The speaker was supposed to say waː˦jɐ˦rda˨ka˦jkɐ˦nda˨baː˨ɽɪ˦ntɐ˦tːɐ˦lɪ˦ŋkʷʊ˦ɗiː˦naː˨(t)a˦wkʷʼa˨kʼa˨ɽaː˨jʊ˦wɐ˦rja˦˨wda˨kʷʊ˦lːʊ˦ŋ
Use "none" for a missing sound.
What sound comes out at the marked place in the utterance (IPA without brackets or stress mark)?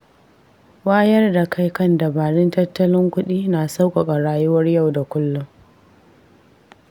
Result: s